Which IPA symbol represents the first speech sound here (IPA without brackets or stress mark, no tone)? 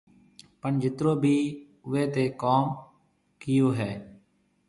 p